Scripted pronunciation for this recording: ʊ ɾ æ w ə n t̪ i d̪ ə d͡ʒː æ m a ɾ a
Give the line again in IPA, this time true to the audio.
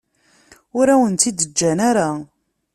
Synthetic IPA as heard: ʊ ɾ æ w ə n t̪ i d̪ ə d͡ʒː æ n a ɾ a